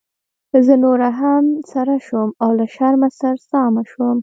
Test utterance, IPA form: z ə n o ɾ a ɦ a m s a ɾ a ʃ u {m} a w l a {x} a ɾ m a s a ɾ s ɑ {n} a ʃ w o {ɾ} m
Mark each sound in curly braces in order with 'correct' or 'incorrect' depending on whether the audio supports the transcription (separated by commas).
correct, incorrect, incorrect, incorrect